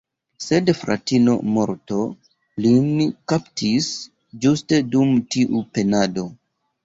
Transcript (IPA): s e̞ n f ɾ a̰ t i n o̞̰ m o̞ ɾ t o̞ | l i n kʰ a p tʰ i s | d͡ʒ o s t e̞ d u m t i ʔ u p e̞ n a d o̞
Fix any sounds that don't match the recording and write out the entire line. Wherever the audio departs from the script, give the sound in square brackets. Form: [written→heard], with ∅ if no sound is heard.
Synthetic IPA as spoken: s e̞ [n→d] f ɾ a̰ t i n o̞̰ m o̞ ɾ t o̞ | l i n [kʰ→k] a p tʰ i s | d͡ʒ [o→u] s t e̞ d u m t i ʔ u p e̞ n a d o̞